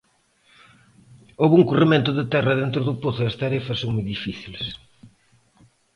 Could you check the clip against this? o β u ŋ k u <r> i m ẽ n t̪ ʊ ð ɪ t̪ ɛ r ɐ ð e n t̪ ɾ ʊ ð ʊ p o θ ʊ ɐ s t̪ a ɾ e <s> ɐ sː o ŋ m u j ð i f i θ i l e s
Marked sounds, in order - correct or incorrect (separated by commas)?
correct, incorrect